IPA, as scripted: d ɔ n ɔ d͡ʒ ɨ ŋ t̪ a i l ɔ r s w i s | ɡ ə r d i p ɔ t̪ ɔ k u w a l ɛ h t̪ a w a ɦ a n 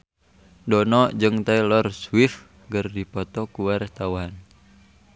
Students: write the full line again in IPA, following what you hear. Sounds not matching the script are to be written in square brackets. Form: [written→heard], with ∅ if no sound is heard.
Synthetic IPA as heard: d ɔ n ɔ d͡ʒ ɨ ŋ t̪ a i l ɔ r s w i [s→f] | ɡ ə r d i p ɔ t̪ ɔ k u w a [l→ɾ] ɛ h t̪ a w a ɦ a n